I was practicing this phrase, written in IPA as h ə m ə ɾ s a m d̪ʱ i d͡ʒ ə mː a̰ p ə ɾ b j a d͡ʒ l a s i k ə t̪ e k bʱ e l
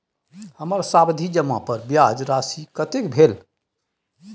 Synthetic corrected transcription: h ə m ə ɾ s a b d̪ʱ i d͡ʒ ə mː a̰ p ə ɾ b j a d͡ʒ ɾ a s i k ə t̪ e k bʱ e l